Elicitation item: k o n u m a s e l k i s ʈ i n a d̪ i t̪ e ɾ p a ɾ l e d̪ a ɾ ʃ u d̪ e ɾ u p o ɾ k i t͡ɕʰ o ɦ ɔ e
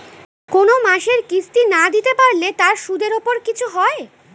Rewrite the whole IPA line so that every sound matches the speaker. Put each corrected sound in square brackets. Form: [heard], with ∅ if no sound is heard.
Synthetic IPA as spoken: k o n [o] m a [ʃ] e [ɾ] k i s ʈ i n a d̪ i t̪ e [∅] p a ɾ l e [t̪] a ɾ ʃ u d̪ e ɾ [o] p o ɾ k i t͡ɕʰ [u] ɦ ɔ e